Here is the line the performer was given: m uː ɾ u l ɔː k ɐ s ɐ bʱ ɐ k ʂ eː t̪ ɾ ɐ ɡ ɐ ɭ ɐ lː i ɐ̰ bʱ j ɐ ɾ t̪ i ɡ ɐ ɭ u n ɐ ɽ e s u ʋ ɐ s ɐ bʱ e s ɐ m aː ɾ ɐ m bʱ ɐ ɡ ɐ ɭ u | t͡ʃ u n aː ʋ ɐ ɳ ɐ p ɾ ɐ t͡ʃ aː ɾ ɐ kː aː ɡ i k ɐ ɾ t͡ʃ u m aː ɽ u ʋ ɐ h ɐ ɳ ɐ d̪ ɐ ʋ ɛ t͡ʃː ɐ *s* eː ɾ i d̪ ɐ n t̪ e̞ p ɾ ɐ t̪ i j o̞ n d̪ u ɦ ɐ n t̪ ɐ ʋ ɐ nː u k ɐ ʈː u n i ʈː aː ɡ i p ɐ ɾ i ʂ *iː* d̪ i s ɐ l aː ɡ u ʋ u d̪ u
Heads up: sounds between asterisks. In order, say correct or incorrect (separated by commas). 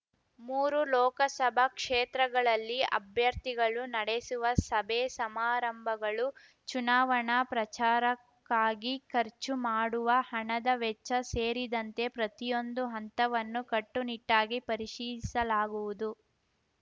correct, correct